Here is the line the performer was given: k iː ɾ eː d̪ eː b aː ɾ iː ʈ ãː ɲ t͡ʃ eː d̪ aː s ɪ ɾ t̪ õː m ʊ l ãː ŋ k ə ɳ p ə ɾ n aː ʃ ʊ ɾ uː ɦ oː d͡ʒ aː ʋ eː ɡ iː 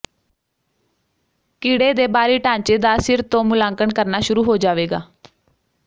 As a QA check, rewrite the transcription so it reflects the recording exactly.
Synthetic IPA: k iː ɽ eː d̪ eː b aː ɾ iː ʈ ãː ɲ t͡ʃ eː d̪ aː s ɪ ɾ t̪ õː m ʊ l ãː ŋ k ə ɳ k ə ɾ n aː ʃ ʊ ɾ uː ɦ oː d͡ʒ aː ʋ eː ɡ aː